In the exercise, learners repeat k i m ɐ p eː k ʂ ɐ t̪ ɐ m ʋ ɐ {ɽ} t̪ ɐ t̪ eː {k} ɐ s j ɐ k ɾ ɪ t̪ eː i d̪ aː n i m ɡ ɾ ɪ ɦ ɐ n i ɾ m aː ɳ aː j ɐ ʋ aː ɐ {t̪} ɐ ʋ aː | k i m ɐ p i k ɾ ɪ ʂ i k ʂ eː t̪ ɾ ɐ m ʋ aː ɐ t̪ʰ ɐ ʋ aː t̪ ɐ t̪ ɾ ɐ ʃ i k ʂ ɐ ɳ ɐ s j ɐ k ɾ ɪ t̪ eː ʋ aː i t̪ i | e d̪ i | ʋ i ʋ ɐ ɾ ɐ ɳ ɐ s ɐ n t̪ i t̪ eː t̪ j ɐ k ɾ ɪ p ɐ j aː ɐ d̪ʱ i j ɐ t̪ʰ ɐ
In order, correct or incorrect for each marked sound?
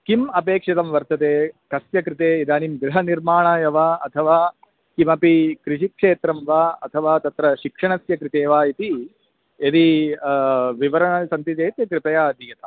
incorrect: ɾ, correct, incorrect: t̪ʰ

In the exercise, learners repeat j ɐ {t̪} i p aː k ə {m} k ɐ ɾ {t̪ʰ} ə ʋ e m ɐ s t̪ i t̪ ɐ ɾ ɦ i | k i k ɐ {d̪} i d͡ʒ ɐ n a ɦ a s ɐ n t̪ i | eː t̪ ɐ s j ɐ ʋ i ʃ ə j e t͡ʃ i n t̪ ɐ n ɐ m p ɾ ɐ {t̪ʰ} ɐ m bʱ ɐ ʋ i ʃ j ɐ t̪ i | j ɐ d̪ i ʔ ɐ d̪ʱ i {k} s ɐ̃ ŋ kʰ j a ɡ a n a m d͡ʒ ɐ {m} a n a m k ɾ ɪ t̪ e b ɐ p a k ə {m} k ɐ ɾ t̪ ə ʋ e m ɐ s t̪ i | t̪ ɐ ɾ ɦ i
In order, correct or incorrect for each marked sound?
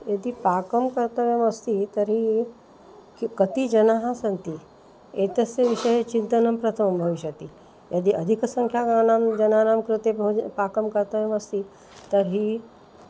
incorrect: d̪, correct, incorrect: t̪, incorrect: t̪, correct, correct, incorrect: n, correct

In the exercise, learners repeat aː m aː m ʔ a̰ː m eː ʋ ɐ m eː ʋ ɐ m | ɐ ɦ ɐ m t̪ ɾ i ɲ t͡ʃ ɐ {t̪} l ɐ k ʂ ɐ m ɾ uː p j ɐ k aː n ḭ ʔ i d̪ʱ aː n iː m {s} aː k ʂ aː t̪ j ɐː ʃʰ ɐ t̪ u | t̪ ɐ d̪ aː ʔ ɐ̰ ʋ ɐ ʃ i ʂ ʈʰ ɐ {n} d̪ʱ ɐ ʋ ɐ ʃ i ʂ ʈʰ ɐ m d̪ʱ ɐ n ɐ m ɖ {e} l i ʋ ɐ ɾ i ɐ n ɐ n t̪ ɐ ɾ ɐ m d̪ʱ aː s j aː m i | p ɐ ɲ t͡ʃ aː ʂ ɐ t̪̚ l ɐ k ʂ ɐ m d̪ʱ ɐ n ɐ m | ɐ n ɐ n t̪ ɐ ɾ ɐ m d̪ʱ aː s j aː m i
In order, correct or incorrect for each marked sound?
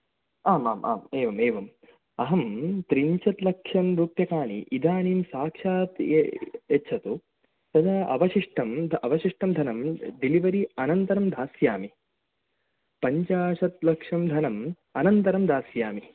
correct, correct, incorrect: m, incorrect: i

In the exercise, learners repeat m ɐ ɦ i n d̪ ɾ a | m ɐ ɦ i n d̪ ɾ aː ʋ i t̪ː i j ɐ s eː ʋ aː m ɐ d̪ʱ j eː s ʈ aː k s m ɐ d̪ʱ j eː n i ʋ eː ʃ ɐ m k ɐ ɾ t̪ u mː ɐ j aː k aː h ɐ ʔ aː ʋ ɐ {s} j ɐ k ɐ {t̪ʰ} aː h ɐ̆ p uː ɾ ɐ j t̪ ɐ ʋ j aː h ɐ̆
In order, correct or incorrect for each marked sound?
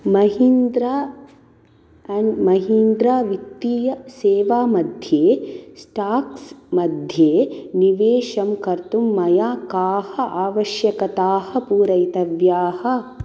incorrect: ʃ, incorrect: t̪

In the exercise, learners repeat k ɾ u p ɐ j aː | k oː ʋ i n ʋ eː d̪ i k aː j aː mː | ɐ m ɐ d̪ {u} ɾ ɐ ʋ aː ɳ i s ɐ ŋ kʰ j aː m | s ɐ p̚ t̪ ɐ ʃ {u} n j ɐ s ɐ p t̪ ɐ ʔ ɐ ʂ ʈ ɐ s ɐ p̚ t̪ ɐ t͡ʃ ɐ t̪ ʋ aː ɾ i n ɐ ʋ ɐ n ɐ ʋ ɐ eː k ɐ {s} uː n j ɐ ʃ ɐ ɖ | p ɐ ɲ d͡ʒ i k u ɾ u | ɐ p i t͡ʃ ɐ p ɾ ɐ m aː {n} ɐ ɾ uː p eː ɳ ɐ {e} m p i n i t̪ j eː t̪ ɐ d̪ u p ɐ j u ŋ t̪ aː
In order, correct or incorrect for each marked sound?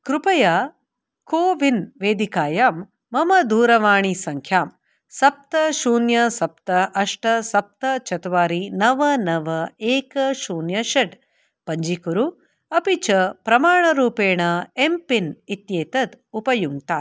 incorrect: uː, incorrect: uː, incorrect: ʃ, incorrect: ɳ, correct

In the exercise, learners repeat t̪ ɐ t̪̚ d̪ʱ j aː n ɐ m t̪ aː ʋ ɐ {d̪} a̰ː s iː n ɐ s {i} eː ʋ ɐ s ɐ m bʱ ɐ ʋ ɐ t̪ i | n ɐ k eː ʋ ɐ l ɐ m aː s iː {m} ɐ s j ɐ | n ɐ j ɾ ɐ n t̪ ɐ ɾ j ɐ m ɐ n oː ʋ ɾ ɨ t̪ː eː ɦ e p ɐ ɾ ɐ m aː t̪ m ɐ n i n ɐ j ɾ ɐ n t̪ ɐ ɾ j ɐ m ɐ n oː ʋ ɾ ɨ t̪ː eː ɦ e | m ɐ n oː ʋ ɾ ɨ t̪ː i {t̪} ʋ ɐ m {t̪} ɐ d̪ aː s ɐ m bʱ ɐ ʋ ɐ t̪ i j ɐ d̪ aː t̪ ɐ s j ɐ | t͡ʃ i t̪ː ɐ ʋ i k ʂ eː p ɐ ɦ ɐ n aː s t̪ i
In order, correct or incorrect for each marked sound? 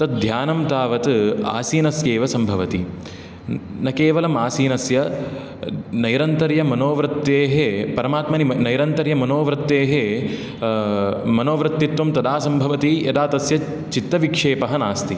incorrect: t̪, incorrect: j, incorrect: n, correct, correct

